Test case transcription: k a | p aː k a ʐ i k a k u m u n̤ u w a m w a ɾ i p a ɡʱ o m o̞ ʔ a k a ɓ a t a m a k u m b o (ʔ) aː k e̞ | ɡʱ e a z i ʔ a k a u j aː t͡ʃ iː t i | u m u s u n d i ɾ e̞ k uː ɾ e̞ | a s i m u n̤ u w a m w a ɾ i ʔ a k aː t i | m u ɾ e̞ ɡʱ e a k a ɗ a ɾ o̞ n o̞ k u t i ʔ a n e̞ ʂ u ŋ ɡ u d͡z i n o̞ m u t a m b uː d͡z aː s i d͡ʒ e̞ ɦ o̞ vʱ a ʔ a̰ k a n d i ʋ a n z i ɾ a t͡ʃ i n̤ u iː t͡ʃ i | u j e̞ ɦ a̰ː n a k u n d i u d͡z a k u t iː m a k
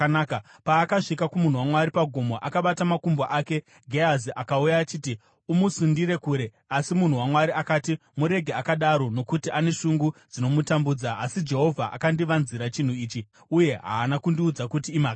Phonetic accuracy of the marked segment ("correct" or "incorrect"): correct